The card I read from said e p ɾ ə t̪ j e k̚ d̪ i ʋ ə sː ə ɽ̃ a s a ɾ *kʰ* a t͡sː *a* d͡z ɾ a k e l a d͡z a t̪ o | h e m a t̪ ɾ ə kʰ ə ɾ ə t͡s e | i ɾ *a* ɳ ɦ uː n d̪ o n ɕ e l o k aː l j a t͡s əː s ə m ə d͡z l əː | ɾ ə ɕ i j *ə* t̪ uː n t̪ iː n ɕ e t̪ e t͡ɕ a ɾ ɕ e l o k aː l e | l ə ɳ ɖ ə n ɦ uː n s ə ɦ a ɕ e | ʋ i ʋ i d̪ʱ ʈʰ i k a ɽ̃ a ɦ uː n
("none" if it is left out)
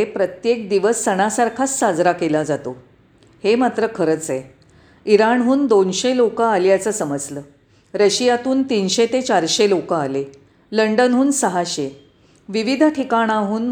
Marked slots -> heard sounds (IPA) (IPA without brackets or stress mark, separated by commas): kʰ, a, a, a